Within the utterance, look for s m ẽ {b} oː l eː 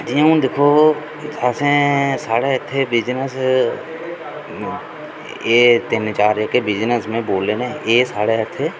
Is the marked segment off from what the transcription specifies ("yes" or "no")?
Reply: no